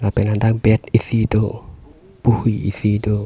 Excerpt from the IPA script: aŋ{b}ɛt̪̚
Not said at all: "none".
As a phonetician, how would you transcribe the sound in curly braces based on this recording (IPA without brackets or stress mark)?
b